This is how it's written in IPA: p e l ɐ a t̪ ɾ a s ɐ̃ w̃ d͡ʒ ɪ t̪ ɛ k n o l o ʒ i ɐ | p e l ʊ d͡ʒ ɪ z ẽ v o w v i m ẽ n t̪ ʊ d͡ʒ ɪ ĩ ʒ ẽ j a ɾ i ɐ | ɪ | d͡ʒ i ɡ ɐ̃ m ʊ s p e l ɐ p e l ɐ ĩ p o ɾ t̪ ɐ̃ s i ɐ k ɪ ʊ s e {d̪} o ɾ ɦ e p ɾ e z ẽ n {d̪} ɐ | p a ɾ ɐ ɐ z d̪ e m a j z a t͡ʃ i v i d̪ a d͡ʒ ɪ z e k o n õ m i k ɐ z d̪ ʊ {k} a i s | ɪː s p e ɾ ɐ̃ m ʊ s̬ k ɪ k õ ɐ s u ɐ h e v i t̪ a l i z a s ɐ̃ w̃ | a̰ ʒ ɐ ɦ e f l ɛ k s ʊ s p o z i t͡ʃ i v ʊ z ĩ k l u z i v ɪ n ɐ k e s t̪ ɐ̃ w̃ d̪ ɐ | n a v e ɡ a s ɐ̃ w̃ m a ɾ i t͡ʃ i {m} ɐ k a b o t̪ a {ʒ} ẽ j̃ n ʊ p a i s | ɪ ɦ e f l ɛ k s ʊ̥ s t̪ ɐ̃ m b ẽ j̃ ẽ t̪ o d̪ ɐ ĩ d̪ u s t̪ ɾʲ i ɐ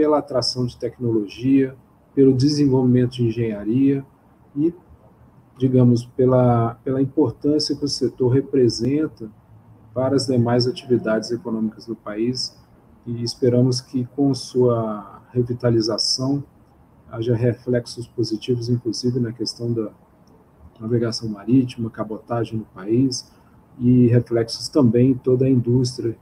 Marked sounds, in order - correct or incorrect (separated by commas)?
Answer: incorrect, incorrect, incorrect, correct, correct